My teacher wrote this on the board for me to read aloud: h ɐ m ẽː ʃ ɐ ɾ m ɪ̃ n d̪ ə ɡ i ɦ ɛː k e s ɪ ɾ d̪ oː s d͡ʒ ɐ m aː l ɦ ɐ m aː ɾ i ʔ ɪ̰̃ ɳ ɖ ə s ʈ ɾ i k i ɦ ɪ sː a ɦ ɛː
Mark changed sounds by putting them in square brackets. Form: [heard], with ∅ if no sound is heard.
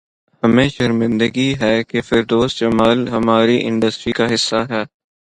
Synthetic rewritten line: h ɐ m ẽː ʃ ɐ ɾ m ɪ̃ n d̪ ə ɡ i ɦ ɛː k e [f] ɪ ɾ d̪ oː s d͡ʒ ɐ m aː l ɦ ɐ m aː ɾ i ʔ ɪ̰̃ ɳ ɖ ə s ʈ ɾ i k [a] ɦ ɪ sː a ɦ ɛː